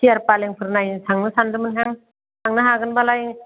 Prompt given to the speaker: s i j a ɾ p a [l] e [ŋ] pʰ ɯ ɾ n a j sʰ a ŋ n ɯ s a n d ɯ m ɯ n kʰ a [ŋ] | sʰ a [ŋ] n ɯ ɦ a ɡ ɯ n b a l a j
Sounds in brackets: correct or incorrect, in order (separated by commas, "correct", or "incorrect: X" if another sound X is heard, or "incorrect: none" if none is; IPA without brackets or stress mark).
correct, correct, correct, correct